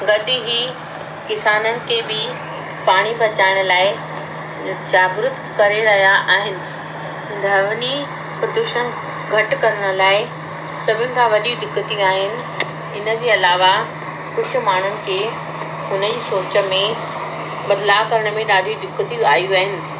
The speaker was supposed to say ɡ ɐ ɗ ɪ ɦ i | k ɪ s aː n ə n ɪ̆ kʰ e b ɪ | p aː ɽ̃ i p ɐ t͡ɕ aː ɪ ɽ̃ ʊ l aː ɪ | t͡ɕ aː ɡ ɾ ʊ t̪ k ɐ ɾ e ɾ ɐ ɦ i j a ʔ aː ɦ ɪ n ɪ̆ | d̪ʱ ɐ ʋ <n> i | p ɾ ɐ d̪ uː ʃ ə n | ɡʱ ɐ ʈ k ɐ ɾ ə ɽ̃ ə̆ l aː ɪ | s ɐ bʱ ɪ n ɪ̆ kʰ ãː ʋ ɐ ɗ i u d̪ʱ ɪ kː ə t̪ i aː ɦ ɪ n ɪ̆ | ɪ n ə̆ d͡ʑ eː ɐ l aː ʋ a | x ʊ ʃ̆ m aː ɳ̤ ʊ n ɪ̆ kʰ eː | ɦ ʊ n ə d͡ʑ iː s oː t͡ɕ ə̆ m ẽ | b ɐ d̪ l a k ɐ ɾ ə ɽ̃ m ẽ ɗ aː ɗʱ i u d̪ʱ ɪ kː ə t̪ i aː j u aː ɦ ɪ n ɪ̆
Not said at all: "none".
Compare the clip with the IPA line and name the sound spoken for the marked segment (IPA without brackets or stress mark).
n